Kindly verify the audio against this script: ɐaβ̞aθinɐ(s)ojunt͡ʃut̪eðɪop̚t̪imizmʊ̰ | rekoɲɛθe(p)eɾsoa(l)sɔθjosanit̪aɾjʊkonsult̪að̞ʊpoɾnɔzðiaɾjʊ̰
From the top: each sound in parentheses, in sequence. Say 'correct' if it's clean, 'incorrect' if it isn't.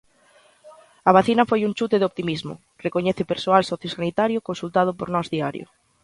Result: incorrect, correct, correct

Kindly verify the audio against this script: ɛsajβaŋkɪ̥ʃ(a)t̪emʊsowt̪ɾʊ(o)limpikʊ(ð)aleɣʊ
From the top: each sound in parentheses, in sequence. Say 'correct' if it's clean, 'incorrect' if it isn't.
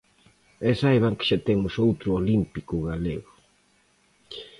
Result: correct, correct, incorrect

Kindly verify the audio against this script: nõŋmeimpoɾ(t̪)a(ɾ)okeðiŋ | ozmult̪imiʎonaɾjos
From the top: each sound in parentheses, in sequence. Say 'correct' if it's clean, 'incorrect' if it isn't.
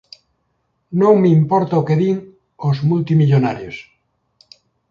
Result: correct, incorrect

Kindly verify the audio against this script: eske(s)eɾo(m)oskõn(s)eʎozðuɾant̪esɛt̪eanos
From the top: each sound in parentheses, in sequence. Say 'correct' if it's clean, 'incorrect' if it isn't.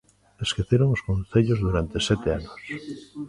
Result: incorrect, incorrect, incorrect

